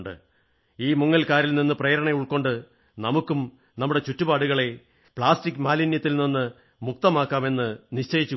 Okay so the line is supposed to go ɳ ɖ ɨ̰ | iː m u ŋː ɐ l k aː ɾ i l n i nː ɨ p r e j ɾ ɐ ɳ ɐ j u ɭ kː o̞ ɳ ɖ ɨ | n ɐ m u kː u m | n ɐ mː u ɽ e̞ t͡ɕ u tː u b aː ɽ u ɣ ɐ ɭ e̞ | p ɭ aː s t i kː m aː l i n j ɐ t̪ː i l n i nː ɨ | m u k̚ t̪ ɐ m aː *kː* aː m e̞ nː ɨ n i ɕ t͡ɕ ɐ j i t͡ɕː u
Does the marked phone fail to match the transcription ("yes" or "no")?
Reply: no